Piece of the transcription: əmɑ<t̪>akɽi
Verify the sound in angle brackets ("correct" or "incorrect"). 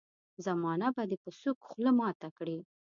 correct